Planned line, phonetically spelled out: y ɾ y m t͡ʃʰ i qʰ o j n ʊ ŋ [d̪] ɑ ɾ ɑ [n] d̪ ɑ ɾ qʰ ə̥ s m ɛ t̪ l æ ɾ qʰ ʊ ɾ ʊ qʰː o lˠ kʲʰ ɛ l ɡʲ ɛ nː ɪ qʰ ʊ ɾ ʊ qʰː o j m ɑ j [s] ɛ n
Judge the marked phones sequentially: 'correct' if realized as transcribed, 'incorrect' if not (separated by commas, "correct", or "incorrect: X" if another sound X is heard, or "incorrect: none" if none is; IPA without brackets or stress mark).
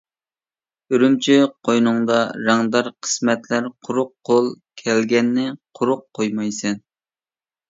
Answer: correct, incorrect: ŋ, correct